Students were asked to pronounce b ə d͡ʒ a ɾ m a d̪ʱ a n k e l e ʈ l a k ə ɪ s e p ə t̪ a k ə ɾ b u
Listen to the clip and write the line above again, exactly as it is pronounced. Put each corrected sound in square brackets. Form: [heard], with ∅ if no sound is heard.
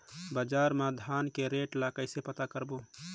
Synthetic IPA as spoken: b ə d͡ʒ a ɾ m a d̪ʱ a n k e [ɾ] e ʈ l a k ə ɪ s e p ə t̪ a k ə ɾ b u